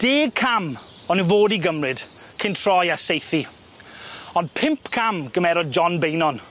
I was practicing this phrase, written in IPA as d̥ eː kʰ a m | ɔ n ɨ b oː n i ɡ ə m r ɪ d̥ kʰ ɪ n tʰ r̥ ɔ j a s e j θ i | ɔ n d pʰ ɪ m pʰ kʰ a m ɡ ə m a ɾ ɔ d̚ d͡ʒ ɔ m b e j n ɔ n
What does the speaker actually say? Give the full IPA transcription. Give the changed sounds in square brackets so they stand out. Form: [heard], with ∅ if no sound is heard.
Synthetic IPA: d̥ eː kʰ a m | ɔ n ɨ [v] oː [d] i ɡ ə m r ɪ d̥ kʰ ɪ n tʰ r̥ ɔ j a s e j θ i | ɔ n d pʰ ɪ m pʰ kʰ a m ɡ ə m [ɛ] ɾ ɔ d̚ d͡ʒ ɔ [n] b e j n ɔ n